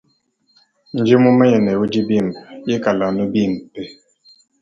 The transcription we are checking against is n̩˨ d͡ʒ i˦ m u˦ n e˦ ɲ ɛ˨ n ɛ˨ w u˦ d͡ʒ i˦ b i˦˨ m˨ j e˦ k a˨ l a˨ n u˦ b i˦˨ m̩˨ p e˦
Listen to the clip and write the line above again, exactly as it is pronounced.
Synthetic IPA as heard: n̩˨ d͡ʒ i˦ m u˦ m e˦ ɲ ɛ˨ n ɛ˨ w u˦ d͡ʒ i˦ b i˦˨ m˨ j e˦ k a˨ l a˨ n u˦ b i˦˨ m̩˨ p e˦